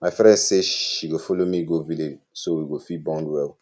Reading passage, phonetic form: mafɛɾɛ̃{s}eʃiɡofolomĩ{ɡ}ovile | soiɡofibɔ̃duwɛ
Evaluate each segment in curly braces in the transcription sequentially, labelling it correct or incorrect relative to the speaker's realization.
correct, correct

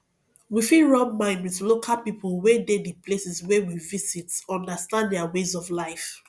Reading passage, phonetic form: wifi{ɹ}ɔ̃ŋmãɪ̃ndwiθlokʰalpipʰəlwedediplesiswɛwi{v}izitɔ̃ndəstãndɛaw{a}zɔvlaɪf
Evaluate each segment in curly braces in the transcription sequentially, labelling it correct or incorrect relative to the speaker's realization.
correct, correct, incorrect: e

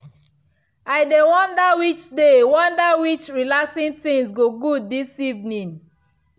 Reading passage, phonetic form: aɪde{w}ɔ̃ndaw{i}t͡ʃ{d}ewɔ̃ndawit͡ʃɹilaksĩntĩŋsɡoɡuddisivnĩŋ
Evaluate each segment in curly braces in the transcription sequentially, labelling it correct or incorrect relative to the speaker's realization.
correct, correct, correct

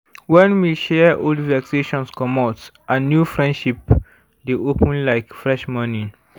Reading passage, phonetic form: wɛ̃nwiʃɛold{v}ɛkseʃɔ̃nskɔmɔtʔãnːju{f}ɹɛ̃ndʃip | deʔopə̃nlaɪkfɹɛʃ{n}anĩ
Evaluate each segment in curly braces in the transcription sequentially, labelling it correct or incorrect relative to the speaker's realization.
correct, correct, incorrect: m

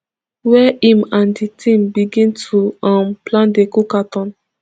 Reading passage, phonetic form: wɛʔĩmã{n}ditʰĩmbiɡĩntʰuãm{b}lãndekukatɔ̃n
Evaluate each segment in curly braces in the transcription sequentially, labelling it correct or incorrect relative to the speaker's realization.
correct, incorrect: p

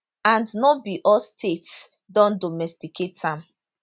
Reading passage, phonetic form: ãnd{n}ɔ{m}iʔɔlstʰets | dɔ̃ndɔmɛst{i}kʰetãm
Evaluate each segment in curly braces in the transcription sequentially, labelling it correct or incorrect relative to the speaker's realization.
correct, incorrect: b, correct

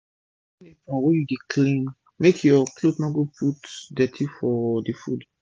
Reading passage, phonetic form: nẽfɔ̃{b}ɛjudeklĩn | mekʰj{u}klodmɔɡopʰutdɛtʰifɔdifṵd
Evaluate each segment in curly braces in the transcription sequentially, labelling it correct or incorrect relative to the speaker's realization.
incorrect: w, incorrect: ɔ

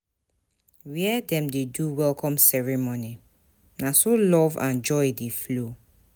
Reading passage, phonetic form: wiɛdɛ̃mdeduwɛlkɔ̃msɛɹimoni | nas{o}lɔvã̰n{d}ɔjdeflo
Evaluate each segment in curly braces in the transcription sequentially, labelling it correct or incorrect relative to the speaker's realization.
correct, incorrect: d͡ʒ

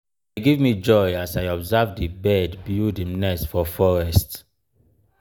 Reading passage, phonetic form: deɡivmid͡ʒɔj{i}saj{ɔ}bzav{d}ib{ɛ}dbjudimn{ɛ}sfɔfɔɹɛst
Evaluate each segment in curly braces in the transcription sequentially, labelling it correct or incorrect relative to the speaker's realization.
incorrect: a, correct, correct, correct, correct

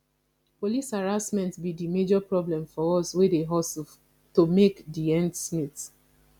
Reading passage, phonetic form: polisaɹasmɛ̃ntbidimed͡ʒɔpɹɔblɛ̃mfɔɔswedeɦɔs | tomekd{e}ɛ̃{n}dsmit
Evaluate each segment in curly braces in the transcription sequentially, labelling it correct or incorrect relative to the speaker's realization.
incorrect: i, correct

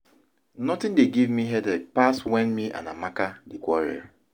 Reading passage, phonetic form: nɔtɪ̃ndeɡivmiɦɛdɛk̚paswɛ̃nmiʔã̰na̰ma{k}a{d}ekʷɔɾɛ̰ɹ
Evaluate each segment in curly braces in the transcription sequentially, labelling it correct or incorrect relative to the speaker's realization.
correct, correct

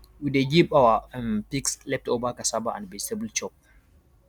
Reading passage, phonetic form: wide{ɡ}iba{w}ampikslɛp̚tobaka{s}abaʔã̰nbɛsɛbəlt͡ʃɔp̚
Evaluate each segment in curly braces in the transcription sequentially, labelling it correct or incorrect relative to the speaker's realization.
correct, correct, correct

